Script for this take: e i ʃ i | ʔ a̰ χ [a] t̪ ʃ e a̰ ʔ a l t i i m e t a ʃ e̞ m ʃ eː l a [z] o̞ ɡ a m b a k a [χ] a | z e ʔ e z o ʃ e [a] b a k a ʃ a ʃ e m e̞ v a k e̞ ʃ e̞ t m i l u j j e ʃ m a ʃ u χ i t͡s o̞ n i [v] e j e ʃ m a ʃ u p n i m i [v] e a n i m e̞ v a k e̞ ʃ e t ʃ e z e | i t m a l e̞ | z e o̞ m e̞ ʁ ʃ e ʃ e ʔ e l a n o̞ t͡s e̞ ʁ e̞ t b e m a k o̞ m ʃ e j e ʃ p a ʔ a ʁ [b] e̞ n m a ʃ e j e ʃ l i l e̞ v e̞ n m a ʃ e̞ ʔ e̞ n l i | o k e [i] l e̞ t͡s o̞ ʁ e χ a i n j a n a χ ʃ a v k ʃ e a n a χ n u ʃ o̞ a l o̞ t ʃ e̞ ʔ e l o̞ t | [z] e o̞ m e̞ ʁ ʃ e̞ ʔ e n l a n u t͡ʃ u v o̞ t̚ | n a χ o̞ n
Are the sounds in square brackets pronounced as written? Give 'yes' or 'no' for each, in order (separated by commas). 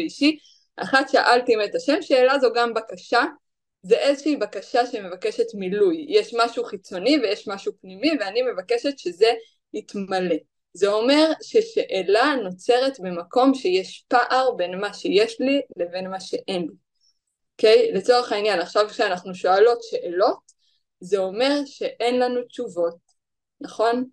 yes, yes, no, no, yes, yes, yes, no, yes